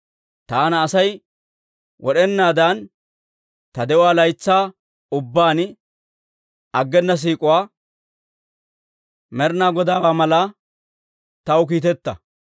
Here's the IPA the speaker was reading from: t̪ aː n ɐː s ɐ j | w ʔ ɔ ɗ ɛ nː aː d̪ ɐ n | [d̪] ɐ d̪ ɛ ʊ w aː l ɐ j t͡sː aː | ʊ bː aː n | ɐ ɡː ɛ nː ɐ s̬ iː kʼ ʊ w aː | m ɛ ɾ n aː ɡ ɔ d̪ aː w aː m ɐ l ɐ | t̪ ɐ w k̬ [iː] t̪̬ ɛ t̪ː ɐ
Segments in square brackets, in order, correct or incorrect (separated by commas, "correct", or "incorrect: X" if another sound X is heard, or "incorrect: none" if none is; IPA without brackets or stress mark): incorrect: t̪, correct